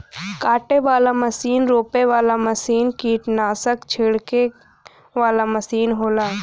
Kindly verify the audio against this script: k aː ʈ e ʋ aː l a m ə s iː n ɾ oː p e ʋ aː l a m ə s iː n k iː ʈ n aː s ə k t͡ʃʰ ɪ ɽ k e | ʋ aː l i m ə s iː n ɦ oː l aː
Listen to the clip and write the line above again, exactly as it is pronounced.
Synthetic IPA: k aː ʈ e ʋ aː l a m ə s iː n ɾ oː p e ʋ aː l a m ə s iː n k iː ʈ n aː s ə k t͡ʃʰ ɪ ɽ k e | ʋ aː l a m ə s iː n ɦ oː l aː